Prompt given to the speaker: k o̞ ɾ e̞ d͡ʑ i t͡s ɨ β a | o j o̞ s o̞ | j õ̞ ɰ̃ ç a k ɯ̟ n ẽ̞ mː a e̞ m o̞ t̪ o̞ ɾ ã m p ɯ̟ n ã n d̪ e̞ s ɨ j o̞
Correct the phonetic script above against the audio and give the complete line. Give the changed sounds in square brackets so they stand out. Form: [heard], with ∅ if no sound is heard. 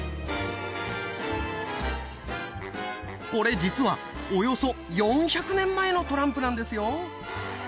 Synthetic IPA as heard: k o̞ ɾ e̞ d͡ʑ i t͡s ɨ β a | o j o̞ s o̞ | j õ̞ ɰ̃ ç a k ɯ̟ n ẽ̞ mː a e̞ [n] o̞ t̪ o̞ ɾ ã m p ɯ̟ n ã n d̪ e̞ s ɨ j o̞